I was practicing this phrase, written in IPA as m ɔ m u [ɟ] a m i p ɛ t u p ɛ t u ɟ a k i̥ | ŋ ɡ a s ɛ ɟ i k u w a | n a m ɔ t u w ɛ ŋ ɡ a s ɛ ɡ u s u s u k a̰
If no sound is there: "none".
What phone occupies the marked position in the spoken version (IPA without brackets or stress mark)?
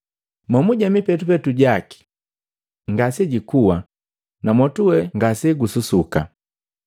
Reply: ɟ